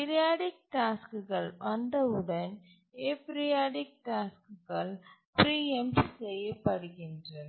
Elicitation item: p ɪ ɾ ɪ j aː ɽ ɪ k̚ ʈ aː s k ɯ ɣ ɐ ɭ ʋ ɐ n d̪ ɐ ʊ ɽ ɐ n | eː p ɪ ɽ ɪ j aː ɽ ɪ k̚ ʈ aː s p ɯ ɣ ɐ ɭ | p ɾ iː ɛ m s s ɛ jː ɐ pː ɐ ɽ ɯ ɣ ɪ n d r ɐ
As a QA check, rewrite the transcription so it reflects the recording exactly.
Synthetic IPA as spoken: p ɪ ɾ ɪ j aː ɽ ɪ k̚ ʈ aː s k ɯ ɣ ɐ ɭ ʋ ɐ n d̪ ɐ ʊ ɽ ɐ n | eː p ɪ ɾ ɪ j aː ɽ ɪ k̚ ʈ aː s k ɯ ɣ ɐ ɭ | p ɾ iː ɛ m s s ɛ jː ɐ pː ɐ ɽ ɯ ɣ ɪ n d r ɐ